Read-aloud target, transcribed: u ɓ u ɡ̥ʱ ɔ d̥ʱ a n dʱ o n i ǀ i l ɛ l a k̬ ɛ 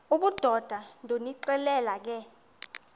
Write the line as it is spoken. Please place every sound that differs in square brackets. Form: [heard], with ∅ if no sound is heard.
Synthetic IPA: u ɓ u [d̥ʱ] ɔ d̥ʱ a n dʱ o n i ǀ [ɛ] l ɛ l a k̬ ɛ